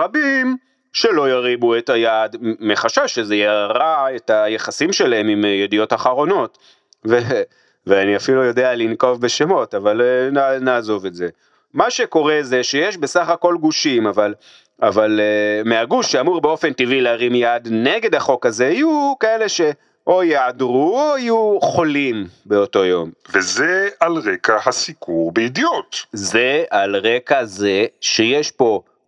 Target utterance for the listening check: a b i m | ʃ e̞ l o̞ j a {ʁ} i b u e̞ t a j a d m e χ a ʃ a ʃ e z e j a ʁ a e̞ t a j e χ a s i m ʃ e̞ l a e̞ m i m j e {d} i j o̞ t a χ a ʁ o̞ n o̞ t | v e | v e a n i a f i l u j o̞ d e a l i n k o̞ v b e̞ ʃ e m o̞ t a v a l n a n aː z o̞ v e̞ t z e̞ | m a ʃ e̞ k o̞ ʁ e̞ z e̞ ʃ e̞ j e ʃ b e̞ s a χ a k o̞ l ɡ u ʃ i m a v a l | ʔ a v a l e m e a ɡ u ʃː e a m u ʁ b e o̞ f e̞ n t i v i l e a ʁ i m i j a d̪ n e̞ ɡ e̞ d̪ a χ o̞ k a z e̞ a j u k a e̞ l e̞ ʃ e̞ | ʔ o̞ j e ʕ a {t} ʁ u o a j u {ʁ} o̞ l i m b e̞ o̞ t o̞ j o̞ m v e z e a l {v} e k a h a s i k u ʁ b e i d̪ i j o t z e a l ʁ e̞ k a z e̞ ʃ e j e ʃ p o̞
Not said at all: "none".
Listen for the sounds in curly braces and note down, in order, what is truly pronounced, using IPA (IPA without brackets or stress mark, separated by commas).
ʁ, d, d, χ, ʁ